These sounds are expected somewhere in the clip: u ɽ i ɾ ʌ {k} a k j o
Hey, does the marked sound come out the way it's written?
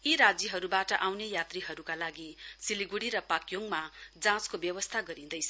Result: no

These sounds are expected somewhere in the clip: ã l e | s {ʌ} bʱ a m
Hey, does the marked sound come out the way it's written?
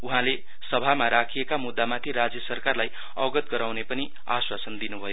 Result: yes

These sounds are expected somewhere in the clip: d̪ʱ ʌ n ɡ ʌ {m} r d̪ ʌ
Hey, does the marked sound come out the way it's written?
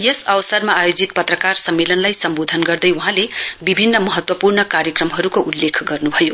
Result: no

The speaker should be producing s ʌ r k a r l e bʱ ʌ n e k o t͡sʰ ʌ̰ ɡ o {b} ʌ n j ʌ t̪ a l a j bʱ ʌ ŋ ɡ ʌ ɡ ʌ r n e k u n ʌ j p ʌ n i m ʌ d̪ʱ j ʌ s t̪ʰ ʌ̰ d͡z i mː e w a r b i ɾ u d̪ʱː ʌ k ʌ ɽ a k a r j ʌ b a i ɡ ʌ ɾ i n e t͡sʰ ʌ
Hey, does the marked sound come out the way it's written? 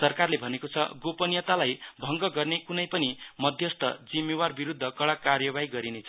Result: no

